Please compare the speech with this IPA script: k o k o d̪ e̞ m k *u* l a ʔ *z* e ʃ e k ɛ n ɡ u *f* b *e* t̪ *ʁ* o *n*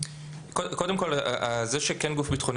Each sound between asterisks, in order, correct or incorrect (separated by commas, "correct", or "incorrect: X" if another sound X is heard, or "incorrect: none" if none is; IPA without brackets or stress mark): incorrect: o, correct, correct, incorrect: i, incorrect: χ, correct